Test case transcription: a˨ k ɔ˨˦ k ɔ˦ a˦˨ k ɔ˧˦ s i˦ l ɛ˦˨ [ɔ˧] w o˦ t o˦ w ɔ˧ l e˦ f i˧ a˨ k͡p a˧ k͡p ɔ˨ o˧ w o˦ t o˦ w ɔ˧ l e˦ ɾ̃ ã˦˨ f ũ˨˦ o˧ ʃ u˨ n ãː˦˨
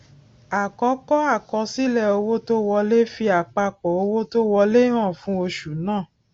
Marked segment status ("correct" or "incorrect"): incorrect